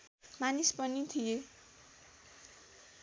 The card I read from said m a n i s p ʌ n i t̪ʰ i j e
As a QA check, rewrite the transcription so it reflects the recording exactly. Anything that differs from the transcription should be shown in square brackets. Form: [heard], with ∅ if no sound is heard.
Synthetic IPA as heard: m a n i s p ʌ n i t̪ʰ i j e